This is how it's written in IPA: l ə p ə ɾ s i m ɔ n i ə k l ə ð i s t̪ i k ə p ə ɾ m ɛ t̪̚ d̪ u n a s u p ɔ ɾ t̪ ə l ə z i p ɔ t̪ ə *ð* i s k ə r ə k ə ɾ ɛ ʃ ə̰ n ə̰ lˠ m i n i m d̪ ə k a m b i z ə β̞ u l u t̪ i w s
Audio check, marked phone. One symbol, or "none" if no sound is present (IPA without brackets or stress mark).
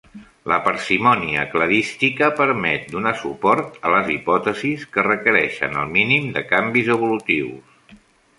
z